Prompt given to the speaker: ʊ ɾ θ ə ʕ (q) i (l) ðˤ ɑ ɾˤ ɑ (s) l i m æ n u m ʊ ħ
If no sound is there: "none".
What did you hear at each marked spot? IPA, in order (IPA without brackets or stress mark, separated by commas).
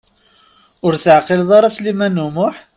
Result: q, l, s